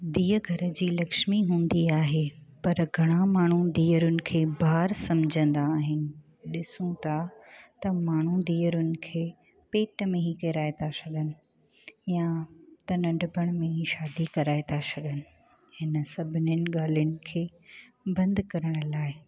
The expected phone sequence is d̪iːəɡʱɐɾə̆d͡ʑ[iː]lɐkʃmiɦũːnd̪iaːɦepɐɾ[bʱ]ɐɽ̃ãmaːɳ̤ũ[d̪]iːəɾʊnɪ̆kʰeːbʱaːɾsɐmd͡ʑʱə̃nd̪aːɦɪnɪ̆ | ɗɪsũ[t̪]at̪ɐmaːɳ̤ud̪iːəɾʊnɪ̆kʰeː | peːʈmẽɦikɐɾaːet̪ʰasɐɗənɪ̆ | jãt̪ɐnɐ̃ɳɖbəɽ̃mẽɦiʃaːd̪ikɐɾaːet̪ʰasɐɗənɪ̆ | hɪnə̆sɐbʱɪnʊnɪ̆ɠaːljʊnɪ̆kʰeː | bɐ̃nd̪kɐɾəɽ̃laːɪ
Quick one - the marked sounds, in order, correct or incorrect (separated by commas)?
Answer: correct, incorrect, correct, incorrect